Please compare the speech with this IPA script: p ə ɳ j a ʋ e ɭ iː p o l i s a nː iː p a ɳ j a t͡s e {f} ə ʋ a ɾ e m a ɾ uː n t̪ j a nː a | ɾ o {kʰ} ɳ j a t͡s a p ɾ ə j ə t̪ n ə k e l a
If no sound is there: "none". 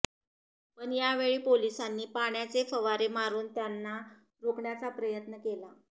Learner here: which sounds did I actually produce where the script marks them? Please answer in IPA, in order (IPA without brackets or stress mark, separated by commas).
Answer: f, k